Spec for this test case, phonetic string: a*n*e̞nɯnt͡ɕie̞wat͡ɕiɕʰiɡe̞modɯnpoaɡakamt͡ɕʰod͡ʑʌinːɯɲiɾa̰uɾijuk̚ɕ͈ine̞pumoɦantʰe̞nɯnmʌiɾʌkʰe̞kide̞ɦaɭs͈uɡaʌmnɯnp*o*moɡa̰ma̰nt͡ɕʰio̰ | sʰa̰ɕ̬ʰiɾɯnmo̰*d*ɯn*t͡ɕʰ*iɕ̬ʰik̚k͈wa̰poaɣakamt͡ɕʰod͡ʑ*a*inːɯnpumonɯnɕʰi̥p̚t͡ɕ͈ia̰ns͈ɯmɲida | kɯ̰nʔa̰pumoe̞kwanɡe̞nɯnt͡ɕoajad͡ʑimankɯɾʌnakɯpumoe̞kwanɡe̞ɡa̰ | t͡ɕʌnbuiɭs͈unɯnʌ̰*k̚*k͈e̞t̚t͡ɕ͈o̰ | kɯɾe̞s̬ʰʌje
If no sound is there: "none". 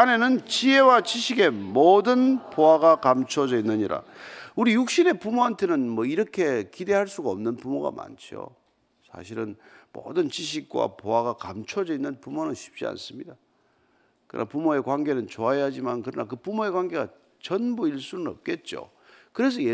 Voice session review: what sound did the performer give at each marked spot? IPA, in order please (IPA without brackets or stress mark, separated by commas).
n, u, d, t͡ɕ, ʌ, p̚